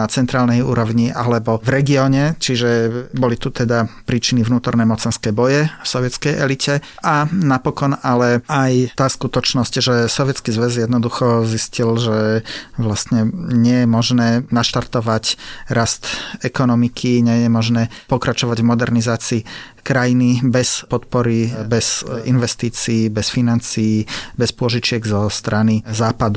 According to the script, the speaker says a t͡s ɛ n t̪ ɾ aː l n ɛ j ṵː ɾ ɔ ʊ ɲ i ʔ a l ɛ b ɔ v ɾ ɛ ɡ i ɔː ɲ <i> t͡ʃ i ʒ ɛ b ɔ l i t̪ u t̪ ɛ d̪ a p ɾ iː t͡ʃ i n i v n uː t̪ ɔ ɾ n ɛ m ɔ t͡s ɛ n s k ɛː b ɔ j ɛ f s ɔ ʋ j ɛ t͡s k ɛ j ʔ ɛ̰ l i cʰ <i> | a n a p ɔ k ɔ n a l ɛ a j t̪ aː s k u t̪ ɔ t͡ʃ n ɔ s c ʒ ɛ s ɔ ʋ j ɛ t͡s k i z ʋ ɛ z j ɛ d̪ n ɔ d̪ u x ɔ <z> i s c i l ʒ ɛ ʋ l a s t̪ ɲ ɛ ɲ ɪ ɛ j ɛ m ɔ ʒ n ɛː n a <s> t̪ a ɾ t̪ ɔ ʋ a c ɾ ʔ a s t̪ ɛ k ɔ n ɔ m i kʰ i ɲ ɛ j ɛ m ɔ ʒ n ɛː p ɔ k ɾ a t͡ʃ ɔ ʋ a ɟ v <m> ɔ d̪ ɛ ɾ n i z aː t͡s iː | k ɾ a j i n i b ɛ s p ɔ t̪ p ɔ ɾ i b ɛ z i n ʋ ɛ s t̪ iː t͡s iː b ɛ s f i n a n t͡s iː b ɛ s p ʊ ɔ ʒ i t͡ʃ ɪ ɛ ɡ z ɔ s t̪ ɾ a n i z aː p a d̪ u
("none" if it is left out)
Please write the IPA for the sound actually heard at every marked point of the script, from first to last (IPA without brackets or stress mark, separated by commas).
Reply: ɛ, ɛ, z, ʃ, m